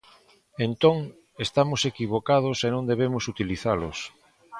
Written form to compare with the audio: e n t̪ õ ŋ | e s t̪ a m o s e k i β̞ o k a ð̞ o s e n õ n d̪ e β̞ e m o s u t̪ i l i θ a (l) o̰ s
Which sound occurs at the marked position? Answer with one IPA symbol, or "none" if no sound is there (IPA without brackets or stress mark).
l